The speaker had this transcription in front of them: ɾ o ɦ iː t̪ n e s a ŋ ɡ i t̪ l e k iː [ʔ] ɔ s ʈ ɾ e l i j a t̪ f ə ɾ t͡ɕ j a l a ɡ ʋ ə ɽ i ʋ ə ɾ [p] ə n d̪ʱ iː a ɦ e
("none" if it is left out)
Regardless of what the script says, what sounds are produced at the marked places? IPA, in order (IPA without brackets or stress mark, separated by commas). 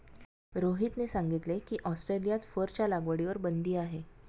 ʔ, b